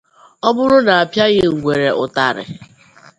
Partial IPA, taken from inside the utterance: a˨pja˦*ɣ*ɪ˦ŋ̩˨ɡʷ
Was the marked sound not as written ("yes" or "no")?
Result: no